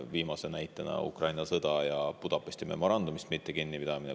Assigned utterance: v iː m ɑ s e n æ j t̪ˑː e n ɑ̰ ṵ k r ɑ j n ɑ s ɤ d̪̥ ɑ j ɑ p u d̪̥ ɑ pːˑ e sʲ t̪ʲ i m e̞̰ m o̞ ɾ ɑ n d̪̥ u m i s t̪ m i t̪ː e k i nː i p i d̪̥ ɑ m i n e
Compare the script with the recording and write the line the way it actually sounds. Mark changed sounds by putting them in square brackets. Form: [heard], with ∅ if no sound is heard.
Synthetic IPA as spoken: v iː m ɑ s e n æ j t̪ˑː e n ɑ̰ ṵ k r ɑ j n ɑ s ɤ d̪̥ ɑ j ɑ p u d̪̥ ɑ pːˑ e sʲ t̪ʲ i m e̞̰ m o̞ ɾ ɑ n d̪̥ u m i s t̪ m i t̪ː e k i nː i p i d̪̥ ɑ m i n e